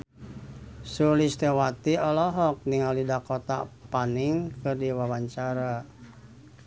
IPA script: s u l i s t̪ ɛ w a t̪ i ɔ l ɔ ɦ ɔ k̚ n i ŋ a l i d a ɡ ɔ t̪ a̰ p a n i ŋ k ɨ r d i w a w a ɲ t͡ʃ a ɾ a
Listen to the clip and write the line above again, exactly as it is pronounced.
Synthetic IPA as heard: s u l i s t̪ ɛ w a t̪ i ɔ l ɔ ɦ ɔ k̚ n i ŋ a l i d a k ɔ t̪ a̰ p a n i ŋ k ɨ r d i w a w a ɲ t͡ʃ a ɾ a